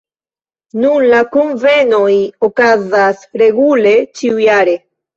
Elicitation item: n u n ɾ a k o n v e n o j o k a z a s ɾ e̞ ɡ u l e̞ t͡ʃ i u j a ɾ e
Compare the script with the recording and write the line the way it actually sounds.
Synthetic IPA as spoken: n u n l a k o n v e n o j o k a z a s ɾ e̞ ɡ u l e̞ t͡ʃ i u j a ɾ e

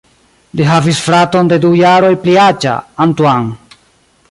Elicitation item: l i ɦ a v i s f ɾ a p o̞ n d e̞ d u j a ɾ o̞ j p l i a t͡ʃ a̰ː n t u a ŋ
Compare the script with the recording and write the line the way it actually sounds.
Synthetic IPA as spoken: l i ɦ a v i s f ɾ a t o̞ n d e̞ d u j a ɾ o̞ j p l i a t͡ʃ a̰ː n t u a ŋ

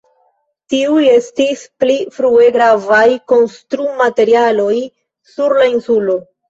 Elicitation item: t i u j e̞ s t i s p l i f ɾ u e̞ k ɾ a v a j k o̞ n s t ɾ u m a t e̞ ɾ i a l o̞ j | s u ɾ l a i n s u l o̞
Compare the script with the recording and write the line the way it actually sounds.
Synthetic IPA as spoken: t i u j e̞ s t i s p l i f ɾ u e̞ ɡ ɾ a v a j k o̞ n s t ɾ u m a t e̞ ɾ i a l o̞ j | s u ɾ l a i n s u l o̞

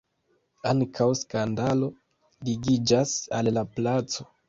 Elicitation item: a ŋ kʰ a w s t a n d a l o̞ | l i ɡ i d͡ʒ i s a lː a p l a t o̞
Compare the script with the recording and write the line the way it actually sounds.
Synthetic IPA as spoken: a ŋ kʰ a w s k a n d a l o̞ | l i ɡ i d͡ʒ a s a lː a p l a t͡s o̞

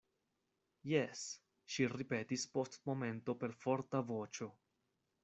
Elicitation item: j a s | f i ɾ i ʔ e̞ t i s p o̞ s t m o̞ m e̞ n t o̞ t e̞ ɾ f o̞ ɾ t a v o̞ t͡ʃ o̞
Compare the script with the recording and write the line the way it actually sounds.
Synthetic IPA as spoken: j e s | ʃ i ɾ i p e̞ t i s p o̞ s t m o̞ m e̞ n t o̞ p e̞ ɾ f o̞ ɾ t a v o̞ t͡ʃ o̞

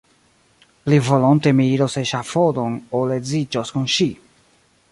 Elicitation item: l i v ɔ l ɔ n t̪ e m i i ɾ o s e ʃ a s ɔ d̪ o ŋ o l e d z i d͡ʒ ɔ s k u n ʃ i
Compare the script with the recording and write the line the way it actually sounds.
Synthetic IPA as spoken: l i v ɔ l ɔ n t̪ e m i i ɾ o s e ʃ a f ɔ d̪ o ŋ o l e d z i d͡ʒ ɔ s k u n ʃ i

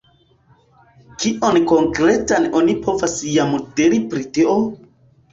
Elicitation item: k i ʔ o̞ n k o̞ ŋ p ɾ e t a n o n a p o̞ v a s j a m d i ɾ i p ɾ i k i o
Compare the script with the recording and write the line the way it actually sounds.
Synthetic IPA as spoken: k i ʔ o̞ n k o̞ ŋ k ɾ e t a n o n i p o̞ v a s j a m d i ɾ i p ɾ i t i o

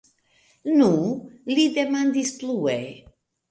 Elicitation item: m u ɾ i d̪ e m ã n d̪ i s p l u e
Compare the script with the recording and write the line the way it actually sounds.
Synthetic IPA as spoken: n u l i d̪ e m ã n d̪ i s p l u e

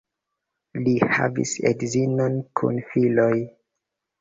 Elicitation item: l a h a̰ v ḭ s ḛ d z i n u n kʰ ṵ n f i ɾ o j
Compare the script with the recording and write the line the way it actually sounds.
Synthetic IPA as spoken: l i h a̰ v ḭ s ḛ d z i n o n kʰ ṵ n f i l o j

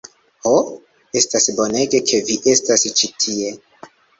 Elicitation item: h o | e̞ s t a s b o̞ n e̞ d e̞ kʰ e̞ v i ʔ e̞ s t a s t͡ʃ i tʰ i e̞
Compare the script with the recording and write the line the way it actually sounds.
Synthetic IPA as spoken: h o | e̞ s t a s b o̞ n e̞ ɡ e̞ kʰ e̞ v i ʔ e̞ s t a s t͡ʃ i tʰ i e̞

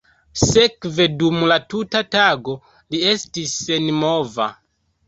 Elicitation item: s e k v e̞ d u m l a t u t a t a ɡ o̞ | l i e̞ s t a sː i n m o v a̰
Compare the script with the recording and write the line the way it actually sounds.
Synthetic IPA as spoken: s e k v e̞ d u m l a t u t a t a ɡ o̞ | l i e̞ s t i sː e n m o v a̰

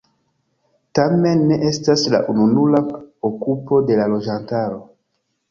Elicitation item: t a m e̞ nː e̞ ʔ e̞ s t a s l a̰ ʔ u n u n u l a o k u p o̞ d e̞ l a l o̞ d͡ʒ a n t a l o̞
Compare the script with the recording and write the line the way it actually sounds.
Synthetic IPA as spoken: t a m e̞ nː e̞ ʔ e̞ s t a s l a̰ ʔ u n u n u l a o k u p o̞ d e̞ l a l o̞ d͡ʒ a n t a ɾ o̞

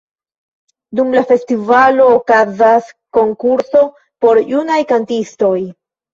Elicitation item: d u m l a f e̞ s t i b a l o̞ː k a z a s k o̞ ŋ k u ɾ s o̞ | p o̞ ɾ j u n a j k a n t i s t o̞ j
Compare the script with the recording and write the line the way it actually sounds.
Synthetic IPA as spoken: d u m l a f e̞ s t i v a l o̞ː k a z a s k o̞ ŋ k u ɾ s o̞ | p o̞ ɾ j u n a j k a n t i s t o̞ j

